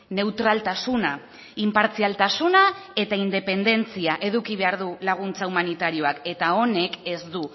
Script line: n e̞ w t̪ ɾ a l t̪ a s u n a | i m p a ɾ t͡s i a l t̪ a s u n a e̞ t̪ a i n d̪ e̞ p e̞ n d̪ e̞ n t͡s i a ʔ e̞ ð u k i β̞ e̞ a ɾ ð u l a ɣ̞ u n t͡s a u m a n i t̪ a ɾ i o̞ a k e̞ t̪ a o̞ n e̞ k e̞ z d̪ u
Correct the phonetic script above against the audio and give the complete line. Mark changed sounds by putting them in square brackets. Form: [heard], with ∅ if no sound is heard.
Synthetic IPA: n e̞ w t̪ ɾ a l t̪ a s u n a | i m p a ɾ t͡s i a l t̪ a s u n a e̞ t̪ a i n d̪ e̞ p e̞ n d̪ e̞ n t͡s i a ʔ e̞ ð u k i β̞ e̞ a ɾ ð u l a ɣ̞ u n t͡s a u m a n i t̪ a ɾ i o̞ a k e̞ t̪ a o̞ n e̞ k e̞ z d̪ u